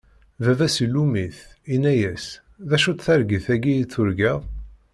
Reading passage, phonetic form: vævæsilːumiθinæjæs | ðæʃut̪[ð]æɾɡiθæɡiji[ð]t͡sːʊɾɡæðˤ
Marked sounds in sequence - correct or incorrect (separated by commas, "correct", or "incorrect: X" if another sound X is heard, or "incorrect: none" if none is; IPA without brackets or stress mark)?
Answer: incorrect: θ, incorrect: none